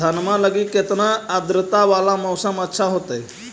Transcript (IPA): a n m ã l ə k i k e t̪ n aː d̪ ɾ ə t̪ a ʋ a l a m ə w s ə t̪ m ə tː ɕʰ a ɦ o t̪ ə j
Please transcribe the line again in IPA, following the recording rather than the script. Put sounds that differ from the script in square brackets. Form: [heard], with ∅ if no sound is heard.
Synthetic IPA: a n m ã l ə [ɡ] i k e t̪ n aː d̪ ɾ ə t̪ a ʋ a l a m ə w s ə [∅] m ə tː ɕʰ a ɦ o t̪ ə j